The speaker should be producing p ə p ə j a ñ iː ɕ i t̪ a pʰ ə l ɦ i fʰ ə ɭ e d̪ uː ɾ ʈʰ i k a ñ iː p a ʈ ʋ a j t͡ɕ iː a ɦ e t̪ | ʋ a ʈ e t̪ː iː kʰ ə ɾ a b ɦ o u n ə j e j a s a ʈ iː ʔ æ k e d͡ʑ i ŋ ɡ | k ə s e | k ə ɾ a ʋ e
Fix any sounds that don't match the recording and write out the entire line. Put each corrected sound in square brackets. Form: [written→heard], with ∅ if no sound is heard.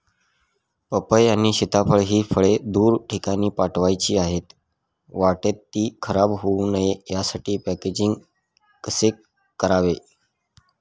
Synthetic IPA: p ə p ə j a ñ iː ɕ i t̪ a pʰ ə [l→ɭ] ɦ [i→iː] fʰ ə ɭ e d̪ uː ɾ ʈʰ i k a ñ iː p a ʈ ʋ a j t͡ɕ iː a ɦ e t̪ | ʋ a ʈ e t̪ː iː kʰ ə ɾ a b ɦ o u n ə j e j a s a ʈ iː [ʔ→p] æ k e d͡ʑ i ŋ ɡ | k ə s e | k ə ɾ a ʋ e